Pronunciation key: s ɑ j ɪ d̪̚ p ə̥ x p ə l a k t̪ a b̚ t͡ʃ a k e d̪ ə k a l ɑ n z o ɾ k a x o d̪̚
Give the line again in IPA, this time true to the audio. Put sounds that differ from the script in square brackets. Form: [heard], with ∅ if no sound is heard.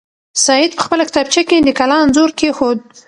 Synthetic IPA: s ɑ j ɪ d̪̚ p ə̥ x p ə l a k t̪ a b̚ t͡ʃ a k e d̪ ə k a l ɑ n z o ɾ k [e] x o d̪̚